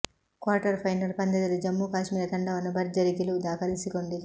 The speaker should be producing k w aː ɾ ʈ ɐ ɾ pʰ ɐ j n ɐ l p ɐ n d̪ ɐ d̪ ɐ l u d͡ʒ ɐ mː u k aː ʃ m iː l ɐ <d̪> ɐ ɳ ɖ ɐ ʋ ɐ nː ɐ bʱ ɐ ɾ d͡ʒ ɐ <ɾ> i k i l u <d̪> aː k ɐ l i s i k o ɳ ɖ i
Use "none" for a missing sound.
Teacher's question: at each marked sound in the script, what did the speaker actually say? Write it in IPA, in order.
t̪, ɾ, d̪

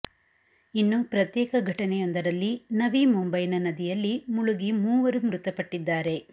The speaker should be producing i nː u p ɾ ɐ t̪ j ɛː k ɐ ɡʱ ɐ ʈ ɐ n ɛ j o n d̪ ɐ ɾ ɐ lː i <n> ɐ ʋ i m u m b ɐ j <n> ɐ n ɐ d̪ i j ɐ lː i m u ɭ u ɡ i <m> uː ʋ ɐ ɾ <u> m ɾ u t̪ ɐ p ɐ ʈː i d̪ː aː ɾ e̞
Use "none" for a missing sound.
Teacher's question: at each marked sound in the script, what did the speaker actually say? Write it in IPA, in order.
n, n, m, u

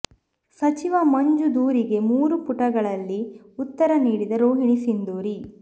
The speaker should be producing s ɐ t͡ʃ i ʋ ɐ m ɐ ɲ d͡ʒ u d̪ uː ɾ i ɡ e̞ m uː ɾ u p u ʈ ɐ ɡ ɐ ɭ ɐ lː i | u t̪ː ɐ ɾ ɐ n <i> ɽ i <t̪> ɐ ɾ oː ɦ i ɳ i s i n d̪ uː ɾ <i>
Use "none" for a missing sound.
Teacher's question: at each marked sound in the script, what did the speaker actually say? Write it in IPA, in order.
iː, d̪, i

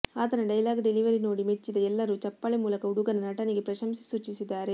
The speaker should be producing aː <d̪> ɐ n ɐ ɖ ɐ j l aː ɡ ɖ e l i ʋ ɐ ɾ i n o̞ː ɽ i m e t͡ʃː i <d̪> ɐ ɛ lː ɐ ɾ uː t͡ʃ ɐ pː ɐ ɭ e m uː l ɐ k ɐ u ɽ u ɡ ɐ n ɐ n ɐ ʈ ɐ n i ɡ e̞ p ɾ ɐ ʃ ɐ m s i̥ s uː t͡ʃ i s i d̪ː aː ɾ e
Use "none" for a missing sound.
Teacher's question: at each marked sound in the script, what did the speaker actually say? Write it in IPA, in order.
t̪, d̪

